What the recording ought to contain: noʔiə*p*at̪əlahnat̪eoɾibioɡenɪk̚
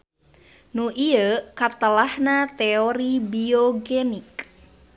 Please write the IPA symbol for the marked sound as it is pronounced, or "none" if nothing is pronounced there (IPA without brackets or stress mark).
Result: k